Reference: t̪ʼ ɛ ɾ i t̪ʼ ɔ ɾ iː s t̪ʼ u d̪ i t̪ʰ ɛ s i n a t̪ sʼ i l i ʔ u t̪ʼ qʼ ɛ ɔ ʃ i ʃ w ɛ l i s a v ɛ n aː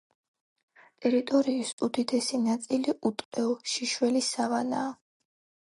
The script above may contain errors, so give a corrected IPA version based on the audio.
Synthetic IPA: t̪ʼ ɛ ɾ i t̪ʼ ɔ ɾ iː s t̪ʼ u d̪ i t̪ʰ ɛ s i n a t̪ sʼ i l i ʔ u t̪ʼ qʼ ɛ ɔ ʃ i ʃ w ɛ l i s a v a n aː